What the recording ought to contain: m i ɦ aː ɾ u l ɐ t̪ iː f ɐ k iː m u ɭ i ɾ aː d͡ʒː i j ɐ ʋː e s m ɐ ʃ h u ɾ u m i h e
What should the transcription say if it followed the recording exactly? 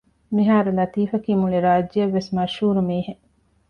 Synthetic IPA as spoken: m i ɦ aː ɾ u l ɐ t̪ iː f ɐ k iː m u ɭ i ɾ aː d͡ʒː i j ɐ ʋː e s m ɐ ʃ h uː ɾ u m iː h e